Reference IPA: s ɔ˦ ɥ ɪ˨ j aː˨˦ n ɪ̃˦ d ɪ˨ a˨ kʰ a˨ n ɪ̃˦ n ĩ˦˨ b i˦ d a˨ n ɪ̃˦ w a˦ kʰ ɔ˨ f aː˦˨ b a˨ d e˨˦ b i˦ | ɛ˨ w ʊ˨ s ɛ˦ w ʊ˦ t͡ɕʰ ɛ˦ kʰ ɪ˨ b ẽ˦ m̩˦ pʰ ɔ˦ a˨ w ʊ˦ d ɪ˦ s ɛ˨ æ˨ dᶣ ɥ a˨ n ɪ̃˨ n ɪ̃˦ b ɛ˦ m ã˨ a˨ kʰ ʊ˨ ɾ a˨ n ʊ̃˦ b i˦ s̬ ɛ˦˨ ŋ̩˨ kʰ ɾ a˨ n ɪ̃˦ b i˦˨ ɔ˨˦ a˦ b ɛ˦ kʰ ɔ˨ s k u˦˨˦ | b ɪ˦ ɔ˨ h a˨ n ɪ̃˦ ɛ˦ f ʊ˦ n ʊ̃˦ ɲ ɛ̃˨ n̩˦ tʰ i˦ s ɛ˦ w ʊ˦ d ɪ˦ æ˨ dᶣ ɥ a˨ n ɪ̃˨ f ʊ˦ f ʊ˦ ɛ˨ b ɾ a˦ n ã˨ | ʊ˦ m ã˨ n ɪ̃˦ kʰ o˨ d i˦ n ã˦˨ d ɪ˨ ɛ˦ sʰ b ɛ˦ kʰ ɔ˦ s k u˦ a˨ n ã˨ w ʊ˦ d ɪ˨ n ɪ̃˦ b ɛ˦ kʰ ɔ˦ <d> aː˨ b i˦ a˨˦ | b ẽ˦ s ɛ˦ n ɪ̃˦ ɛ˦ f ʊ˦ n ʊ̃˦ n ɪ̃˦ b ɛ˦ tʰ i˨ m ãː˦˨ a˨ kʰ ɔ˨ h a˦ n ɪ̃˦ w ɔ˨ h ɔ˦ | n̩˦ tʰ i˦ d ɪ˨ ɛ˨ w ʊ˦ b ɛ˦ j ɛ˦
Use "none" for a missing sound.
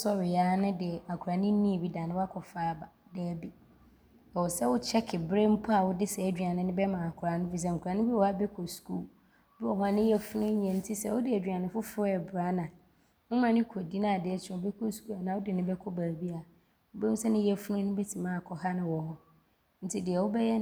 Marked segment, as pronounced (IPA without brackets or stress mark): b